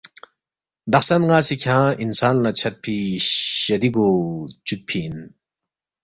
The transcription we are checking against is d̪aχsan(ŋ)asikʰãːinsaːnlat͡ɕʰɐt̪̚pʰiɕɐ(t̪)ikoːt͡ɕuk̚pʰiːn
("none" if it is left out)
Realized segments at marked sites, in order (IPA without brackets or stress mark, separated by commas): ŋ, d̪